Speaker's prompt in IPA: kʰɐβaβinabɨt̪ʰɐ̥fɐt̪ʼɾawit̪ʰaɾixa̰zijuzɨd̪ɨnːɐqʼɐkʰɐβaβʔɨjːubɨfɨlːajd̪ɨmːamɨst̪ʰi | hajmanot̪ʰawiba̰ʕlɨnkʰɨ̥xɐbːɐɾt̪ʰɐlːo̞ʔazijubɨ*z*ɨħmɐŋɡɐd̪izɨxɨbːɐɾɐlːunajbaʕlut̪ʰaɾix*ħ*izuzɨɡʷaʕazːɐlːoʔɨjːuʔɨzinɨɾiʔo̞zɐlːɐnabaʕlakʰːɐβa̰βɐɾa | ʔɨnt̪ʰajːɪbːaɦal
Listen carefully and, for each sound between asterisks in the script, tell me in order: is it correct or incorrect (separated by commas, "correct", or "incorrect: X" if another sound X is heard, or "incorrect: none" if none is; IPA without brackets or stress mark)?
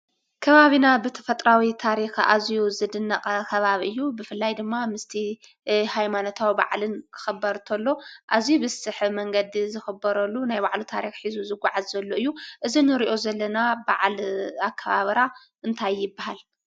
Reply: incorrect: s, correct